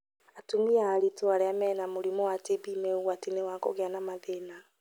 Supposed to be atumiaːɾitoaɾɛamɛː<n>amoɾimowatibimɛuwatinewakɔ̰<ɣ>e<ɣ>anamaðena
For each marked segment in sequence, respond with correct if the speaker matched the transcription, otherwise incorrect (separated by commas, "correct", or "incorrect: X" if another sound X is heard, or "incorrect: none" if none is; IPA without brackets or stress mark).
correct, correct, incorrect: none